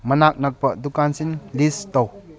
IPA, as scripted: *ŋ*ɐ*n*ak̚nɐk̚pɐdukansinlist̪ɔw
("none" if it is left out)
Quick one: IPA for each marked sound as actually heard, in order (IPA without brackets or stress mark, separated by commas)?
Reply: m, n